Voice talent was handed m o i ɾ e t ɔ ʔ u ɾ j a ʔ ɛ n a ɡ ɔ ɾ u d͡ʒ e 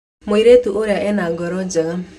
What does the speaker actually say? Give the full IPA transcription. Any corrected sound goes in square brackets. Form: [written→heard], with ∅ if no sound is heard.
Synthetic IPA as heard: m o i ɾ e t [ɔ→u] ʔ [u→o] ɾ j a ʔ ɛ n a ɡ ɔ ɾ [u→ɔ] d͡ʒ [e→a]